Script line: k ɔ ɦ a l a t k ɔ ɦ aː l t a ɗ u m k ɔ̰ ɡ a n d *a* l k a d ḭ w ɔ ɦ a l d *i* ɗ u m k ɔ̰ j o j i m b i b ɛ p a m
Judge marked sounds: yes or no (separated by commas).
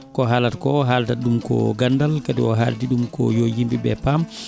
yes, yes